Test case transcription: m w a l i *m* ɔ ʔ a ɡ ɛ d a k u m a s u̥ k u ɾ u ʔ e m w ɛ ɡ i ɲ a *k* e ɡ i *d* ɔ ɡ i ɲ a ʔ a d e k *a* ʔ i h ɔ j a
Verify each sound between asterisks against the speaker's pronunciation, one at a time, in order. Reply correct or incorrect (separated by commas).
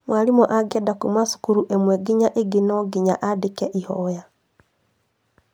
correct, incorrect, incorrect, incorrect